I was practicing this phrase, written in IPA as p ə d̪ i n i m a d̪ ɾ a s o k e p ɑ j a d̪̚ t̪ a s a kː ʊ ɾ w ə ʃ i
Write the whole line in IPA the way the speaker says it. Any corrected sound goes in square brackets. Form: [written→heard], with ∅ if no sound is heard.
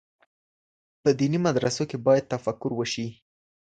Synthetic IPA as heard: p ə d̪ i n i m a d̪ ɾ a s o k e [p→b] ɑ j a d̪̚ t̪ a [s→f] a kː ʊ ɾ w ə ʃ i